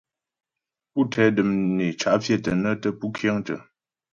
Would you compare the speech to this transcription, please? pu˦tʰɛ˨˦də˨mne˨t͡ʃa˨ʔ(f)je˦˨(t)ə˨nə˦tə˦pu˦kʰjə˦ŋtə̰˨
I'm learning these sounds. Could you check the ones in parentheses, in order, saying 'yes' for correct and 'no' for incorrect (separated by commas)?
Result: yes, yes